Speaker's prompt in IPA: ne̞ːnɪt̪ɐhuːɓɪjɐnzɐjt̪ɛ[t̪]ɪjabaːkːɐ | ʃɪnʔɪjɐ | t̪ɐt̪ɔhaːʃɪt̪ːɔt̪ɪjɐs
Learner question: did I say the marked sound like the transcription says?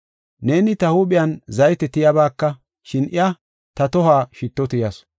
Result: yes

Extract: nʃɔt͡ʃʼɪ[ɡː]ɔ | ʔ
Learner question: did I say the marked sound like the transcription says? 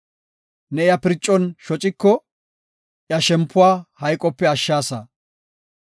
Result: no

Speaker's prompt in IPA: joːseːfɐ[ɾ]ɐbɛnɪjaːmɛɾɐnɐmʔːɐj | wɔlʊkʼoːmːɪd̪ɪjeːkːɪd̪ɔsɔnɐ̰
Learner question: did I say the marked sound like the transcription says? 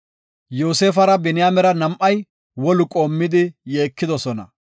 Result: yes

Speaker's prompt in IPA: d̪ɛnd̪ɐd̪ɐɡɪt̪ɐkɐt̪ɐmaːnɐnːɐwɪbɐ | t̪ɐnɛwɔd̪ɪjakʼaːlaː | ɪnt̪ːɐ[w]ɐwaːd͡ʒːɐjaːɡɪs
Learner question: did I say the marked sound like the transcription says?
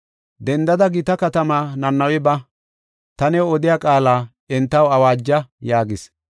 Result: yes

